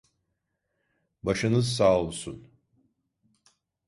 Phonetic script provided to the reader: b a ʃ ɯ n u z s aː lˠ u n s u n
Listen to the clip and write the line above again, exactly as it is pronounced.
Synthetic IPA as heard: b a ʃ ɯ n ɯ z s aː lˠ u s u n